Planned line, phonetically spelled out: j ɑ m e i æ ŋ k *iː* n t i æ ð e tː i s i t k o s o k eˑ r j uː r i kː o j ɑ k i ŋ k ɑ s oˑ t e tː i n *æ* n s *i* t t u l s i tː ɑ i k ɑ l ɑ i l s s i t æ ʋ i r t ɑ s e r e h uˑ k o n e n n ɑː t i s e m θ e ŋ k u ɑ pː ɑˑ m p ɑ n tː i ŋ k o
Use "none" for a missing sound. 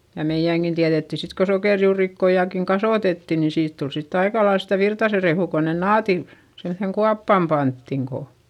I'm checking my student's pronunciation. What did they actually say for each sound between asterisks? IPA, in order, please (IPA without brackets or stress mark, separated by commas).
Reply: i, i, iː